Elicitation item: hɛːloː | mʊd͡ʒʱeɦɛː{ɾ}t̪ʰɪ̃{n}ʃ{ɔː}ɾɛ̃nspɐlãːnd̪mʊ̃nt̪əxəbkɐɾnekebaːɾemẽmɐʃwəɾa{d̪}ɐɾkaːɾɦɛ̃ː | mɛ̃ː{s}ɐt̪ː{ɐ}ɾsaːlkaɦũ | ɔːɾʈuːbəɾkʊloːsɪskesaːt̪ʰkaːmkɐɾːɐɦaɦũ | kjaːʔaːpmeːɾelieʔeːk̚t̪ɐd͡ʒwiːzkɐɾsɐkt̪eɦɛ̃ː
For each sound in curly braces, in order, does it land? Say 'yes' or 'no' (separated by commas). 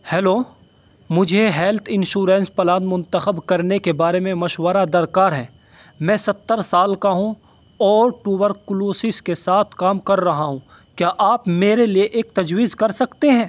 no, yes, no, yes, yes, no